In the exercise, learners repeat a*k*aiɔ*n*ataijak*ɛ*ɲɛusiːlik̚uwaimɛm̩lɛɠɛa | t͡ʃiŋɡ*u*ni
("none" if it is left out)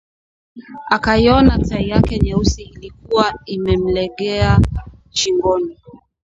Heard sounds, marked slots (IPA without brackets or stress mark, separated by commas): k, n, ɛ, ɔ